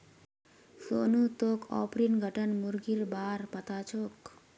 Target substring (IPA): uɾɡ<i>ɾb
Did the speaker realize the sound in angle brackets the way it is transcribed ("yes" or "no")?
yes